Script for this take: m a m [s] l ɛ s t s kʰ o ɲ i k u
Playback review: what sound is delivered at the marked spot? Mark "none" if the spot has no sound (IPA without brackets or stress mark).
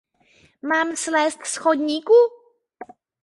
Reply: s